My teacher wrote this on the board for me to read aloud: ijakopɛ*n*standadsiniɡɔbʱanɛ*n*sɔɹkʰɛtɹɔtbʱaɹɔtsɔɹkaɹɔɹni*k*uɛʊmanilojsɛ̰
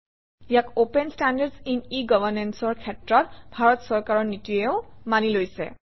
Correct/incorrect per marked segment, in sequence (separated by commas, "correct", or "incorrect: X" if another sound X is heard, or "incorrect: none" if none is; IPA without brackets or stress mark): correct, correct, incorrect: t